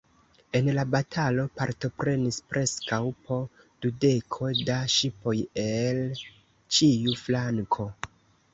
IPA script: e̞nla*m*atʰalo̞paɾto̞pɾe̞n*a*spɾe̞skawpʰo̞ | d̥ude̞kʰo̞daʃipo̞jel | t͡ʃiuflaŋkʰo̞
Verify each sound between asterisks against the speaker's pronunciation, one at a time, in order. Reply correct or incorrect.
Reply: incorrect: b, incorrect: i

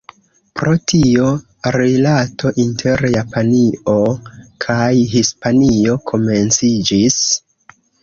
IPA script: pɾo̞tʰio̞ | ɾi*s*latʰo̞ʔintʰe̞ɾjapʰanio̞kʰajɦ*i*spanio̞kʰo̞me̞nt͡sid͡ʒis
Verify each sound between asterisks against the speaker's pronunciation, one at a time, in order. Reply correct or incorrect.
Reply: incorrect: none, correct

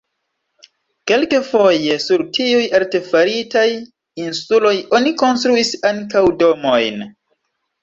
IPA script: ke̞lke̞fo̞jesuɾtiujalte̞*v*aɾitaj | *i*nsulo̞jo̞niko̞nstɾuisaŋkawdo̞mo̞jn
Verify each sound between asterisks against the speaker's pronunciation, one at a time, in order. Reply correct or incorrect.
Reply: incorrect: f, correct

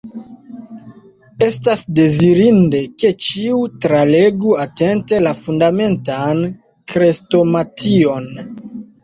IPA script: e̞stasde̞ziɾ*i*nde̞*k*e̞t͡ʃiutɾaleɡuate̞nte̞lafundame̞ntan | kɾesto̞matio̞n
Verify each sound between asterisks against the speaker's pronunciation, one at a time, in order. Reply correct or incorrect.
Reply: correct, correct

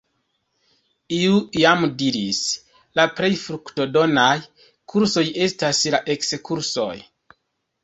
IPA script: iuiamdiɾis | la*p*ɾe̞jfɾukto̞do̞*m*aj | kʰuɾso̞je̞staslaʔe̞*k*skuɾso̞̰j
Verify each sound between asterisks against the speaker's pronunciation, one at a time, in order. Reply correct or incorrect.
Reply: correct, incorrect: n, correct

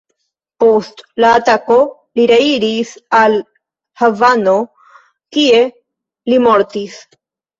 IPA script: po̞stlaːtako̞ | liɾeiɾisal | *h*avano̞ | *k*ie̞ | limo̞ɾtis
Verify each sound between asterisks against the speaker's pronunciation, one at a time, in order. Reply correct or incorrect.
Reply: correct, correct

